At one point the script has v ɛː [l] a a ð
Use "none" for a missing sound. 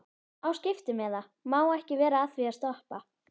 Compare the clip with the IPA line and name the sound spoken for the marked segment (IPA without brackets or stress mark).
ɾ